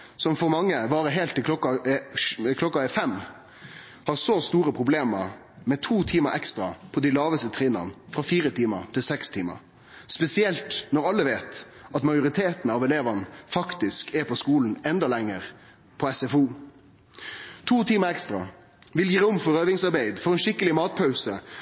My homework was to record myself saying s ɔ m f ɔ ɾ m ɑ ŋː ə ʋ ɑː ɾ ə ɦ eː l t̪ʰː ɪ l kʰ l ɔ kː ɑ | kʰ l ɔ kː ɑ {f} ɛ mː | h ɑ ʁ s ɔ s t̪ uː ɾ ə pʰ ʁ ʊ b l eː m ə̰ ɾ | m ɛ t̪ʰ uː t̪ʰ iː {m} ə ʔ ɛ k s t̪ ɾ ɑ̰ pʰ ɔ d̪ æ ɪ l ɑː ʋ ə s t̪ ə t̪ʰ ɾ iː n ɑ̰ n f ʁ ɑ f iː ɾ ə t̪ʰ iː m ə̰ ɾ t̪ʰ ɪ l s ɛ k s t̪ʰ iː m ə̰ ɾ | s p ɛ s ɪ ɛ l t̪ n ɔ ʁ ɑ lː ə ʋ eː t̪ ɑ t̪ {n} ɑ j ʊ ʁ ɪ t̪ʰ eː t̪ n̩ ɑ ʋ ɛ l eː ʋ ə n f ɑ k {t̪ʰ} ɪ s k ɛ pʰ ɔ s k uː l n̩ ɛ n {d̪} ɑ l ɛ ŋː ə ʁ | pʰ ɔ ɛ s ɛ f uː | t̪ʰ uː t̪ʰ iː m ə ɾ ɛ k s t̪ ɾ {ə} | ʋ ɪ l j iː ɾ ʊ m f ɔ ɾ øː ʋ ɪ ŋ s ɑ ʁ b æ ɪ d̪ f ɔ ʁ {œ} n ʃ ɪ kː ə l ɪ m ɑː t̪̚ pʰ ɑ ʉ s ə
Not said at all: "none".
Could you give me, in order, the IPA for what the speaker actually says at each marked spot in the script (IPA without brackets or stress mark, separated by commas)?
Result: f, m, m, t̪, d̪, ɑ, ɛ